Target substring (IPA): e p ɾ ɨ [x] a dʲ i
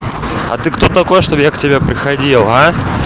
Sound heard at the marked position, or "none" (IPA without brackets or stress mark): x